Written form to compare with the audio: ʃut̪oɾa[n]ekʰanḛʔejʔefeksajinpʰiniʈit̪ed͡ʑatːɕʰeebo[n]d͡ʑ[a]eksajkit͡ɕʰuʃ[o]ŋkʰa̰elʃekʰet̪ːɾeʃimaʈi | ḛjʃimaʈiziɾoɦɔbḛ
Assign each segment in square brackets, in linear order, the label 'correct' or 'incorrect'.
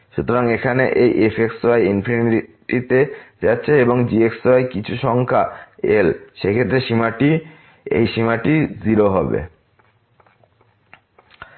incorrect: ŋ, incorrect: ŋ, incorrect: i, incorrect: ɔ

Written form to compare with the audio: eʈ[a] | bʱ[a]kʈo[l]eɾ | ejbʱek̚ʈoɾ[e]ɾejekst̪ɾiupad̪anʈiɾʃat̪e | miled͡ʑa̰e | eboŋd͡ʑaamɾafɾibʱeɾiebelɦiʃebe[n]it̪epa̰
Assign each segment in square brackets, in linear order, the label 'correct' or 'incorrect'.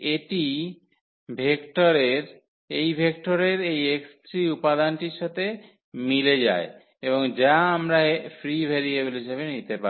incorrect: i, incorrect: e, incorrect: ɾ, correct, correct

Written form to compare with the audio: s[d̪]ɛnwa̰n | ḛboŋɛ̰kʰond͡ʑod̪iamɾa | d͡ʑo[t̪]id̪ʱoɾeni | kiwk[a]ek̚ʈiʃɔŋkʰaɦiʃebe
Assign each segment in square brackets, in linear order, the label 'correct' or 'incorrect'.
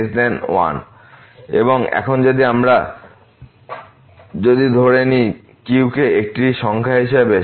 correct, incorrect: d̪, incorrect: e

